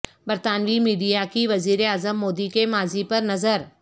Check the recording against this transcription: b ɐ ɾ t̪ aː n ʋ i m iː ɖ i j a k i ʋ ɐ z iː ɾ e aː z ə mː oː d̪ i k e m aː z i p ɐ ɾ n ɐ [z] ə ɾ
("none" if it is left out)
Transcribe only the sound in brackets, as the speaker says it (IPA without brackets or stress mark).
z